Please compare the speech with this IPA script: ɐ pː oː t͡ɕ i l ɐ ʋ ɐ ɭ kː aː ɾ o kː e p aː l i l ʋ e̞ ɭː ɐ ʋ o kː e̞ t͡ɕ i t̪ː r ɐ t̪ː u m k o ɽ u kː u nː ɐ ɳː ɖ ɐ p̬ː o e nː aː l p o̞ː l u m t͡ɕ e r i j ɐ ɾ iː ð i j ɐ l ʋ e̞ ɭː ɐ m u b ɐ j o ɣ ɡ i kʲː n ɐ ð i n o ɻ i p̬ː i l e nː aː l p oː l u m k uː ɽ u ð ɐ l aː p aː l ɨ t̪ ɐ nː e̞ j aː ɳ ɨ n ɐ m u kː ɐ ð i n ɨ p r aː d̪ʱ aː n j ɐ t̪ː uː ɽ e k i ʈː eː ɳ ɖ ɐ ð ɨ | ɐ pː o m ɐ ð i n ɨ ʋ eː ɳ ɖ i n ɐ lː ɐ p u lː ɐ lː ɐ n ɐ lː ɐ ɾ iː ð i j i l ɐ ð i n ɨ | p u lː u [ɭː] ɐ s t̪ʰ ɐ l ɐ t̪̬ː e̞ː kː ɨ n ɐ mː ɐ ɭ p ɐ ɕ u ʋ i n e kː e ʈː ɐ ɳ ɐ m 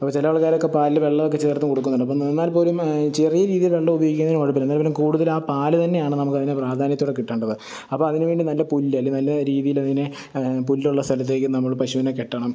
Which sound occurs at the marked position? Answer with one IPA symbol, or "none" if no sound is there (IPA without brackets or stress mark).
ɭː